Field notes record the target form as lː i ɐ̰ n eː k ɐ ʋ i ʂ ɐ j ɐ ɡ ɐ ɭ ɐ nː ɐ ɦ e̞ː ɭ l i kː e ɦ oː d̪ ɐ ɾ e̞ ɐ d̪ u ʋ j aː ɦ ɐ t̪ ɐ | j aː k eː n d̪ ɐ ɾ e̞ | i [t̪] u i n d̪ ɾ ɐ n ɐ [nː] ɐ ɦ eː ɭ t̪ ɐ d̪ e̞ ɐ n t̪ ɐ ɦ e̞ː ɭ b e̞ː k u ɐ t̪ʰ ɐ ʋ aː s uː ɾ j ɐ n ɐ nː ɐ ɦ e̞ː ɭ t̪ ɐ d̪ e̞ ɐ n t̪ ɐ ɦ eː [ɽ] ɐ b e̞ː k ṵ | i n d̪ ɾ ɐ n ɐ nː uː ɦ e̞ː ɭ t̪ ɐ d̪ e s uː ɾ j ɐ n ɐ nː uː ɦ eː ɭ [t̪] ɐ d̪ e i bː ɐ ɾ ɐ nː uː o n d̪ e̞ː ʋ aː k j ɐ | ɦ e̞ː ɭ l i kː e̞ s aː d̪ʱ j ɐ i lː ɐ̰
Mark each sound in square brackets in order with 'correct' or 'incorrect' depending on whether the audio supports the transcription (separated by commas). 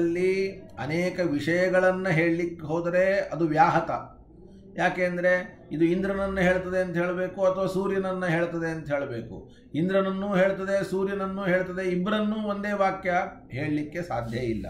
incorrect, correct, incorrect, correct